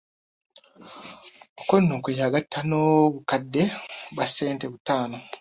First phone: o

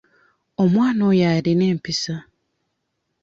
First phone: o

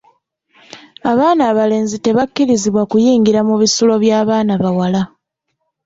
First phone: a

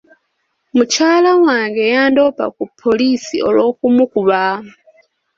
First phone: m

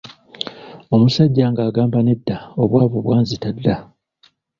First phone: o̞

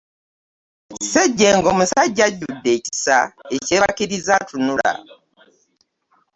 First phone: s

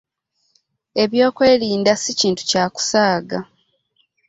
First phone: e̞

